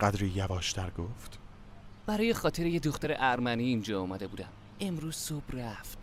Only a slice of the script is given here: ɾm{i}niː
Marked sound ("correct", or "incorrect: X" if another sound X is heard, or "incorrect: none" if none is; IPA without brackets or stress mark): incorrect: æ